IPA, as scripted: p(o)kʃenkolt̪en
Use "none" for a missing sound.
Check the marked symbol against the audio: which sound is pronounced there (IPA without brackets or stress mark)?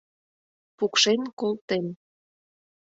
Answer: u